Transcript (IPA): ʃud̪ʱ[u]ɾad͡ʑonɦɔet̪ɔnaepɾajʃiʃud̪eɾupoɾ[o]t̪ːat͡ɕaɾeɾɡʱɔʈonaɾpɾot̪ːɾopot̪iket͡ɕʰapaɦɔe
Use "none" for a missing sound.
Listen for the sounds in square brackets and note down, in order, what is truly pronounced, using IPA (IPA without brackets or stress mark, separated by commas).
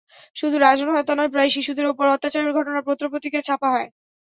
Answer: u, ɔ